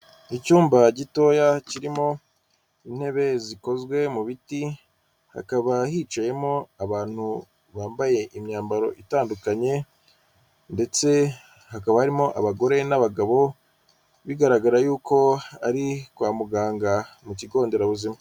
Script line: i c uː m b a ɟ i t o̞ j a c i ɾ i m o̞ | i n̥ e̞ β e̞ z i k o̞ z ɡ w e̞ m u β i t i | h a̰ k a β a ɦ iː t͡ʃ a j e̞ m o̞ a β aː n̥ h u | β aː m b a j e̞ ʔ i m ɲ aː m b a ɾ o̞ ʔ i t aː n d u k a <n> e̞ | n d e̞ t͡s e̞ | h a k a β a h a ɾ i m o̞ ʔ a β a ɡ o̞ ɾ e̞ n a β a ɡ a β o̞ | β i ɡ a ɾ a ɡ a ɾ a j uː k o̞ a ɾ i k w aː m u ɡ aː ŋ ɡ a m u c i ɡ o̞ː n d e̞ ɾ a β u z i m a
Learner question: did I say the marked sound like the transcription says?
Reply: no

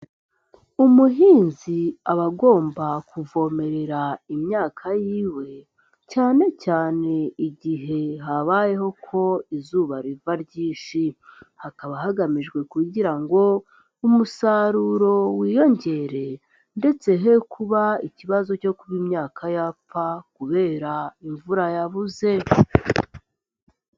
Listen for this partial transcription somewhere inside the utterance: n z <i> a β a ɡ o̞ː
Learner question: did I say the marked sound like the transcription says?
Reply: yes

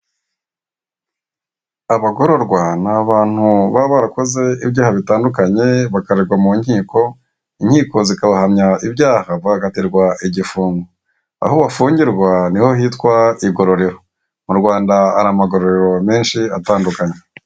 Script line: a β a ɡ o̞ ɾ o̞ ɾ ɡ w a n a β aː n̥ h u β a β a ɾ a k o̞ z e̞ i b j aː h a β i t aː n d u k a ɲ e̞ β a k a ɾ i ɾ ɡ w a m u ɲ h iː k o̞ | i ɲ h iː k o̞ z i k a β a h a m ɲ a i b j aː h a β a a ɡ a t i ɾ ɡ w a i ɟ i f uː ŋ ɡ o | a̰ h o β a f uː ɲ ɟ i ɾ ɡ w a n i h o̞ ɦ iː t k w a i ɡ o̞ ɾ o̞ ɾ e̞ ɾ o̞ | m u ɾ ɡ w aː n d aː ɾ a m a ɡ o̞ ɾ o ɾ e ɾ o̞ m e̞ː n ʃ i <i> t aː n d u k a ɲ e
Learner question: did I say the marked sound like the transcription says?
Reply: no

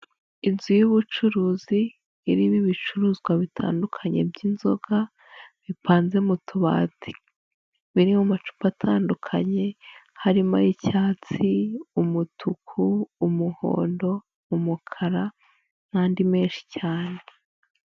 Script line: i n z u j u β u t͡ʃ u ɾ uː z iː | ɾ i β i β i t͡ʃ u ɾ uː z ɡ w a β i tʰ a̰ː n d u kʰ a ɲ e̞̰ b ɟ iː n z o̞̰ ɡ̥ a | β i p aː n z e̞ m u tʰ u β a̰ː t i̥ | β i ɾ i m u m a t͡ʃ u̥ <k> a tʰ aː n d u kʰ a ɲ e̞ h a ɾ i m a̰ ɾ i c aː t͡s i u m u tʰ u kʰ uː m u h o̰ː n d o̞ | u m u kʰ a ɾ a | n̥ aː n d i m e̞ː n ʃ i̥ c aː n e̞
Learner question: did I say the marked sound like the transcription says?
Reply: no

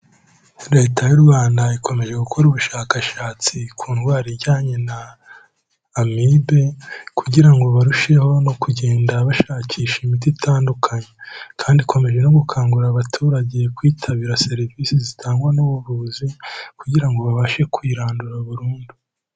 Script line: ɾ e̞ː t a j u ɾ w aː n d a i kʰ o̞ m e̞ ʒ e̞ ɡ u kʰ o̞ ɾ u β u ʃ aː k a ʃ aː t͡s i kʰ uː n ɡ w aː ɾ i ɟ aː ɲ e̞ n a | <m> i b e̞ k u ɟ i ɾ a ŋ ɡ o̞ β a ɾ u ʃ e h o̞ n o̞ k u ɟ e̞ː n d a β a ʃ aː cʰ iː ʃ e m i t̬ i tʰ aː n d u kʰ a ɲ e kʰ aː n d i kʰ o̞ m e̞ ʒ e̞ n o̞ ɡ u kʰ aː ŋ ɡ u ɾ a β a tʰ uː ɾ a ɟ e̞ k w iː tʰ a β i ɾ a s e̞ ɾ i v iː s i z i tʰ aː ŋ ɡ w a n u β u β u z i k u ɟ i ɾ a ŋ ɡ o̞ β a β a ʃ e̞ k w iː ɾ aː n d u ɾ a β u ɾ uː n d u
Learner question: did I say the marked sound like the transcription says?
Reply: yes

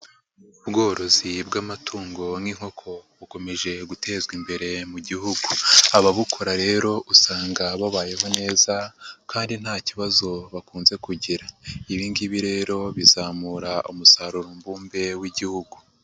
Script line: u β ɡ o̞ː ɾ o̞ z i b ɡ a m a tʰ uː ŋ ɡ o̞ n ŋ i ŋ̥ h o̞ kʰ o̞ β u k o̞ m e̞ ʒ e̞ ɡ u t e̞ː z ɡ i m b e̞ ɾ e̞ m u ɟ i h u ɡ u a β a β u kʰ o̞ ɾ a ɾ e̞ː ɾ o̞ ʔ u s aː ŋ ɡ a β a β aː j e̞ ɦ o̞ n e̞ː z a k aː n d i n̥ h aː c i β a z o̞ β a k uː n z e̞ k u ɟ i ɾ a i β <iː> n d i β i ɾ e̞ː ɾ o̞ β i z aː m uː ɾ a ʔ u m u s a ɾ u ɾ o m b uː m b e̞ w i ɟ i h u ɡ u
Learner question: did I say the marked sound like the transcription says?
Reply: yes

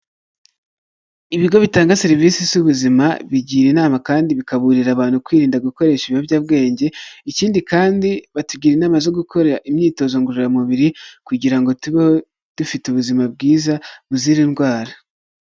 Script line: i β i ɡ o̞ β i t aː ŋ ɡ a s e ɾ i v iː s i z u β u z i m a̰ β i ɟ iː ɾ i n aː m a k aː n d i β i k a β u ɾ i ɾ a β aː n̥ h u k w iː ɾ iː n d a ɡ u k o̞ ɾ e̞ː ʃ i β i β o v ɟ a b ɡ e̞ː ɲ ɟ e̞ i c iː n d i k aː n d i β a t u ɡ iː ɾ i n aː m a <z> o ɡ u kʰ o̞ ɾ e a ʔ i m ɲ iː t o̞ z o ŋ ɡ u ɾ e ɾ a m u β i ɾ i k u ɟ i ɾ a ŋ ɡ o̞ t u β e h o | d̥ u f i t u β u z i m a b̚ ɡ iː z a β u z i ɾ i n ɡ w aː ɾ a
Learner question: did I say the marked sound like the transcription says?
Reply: yes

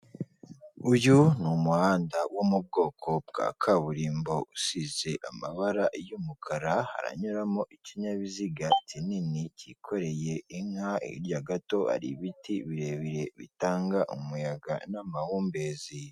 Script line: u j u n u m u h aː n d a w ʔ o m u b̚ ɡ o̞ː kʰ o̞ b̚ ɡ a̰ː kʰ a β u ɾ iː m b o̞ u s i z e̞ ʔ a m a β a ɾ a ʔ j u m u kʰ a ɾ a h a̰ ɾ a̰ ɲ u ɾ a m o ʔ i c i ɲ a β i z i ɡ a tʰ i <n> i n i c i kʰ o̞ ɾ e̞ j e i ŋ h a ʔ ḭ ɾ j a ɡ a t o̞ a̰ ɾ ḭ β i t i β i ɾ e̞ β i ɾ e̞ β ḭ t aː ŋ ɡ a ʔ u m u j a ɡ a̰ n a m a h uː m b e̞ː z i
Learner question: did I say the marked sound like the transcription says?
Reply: yes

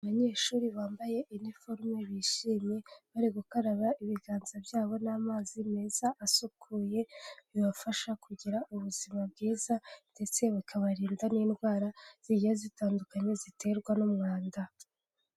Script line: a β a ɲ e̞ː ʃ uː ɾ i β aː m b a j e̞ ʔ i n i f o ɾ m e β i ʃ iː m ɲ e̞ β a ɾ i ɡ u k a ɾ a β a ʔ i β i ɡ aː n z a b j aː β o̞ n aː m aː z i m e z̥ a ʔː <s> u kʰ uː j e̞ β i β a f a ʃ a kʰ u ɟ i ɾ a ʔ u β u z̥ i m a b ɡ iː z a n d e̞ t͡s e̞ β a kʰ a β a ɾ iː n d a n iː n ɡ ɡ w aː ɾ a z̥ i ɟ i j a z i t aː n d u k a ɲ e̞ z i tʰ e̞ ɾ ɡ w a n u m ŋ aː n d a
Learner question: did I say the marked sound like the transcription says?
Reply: yes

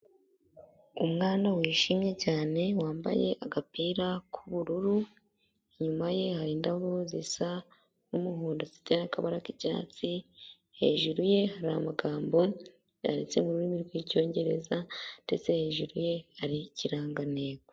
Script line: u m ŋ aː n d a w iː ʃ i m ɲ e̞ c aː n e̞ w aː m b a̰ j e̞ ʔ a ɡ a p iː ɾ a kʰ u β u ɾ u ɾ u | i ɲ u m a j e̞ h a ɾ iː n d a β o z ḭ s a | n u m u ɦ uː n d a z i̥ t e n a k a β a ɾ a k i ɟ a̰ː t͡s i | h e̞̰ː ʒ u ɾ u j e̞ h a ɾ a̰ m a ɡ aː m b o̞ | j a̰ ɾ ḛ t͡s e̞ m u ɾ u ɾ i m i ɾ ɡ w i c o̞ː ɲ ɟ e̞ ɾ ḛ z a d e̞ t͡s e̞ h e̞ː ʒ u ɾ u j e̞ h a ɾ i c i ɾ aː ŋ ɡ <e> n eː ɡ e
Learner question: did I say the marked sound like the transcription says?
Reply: no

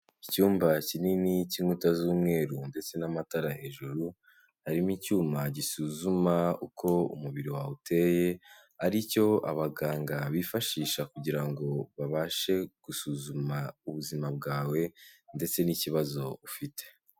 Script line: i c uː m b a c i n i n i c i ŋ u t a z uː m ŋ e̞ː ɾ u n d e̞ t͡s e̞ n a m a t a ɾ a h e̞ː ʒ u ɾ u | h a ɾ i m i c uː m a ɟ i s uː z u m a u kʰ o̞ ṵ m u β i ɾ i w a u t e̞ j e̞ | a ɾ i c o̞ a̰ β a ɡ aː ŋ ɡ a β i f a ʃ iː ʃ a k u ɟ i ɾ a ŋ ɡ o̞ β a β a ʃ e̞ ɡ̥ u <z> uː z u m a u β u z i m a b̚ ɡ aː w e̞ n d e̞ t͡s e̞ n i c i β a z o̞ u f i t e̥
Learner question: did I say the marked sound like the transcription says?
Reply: no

